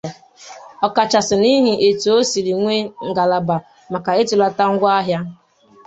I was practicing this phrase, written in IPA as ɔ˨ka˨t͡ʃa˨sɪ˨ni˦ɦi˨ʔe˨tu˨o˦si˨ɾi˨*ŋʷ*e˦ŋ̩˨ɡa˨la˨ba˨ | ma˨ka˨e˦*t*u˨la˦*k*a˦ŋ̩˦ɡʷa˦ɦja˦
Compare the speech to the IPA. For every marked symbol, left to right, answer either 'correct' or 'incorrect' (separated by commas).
correct, correct, incorrect